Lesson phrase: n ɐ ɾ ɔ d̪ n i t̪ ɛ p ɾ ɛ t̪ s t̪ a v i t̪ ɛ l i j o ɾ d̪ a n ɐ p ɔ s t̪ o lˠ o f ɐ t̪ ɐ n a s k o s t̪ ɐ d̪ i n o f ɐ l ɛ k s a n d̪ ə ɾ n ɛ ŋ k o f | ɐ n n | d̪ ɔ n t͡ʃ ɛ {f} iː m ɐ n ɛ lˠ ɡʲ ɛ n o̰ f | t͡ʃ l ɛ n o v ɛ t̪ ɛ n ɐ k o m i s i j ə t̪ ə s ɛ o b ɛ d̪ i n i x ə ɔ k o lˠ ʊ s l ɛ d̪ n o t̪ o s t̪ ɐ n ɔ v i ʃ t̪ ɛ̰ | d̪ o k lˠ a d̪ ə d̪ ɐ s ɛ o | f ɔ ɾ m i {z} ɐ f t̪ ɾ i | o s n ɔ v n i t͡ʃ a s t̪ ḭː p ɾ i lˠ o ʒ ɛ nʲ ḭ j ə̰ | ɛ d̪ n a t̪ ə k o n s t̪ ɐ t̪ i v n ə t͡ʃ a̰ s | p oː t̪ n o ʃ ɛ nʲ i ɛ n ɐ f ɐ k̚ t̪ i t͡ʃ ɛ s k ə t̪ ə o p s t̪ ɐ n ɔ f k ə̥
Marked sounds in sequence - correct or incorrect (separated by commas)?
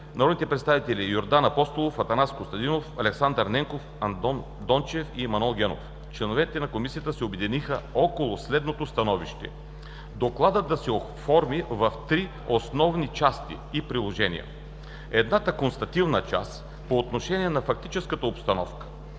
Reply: correct, incorrect